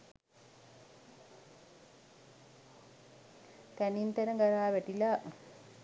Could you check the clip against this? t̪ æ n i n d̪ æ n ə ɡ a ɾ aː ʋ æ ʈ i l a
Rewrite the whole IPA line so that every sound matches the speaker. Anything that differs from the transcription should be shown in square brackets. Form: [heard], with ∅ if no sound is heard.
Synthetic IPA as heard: t̪ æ n i n [t̪] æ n ə ɡ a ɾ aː ʋ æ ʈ i l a